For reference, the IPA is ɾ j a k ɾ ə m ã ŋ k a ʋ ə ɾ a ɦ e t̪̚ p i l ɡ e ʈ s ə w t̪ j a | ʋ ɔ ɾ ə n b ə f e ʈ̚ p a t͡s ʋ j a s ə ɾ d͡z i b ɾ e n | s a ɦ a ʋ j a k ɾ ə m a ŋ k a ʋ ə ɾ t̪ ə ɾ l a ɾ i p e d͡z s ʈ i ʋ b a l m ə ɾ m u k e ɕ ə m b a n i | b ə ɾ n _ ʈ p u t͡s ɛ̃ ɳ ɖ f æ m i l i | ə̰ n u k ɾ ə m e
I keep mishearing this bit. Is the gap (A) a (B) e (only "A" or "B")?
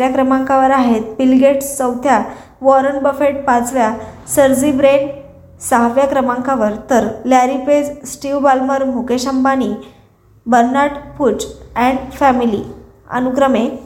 A